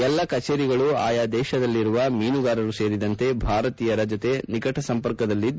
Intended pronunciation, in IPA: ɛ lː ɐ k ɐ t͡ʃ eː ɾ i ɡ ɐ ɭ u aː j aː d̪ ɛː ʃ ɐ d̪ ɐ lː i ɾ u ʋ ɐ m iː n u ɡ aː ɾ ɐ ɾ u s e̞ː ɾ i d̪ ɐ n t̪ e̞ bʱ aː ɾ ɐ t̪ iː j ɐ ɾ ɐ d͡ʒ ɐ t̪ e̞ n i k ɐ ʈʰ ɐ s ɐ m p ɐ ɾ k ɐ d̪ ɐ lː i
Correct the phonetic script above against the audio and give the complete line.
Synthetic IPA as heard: ɛ lː ɐ k ɐ t͡ʃ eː ɾ i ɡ ɐ ɭ u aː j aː d̪ ɛː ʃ ɐ d̪ ɐ lː i ɾ u ʋ ɐ m iː n u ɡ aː ɾ ɐ ɾ u s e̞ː ɾ i d̪ ɐ n t̪ e̞ bʱ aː ɾ ɐ t̪ iː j ɐ ɾ ɐ d͡ʒ ɐ t̪ e̞ n i k ɐ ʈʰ ɐ s ɐ m p ɐ ɾ k ɐ d̪ ɐ lː i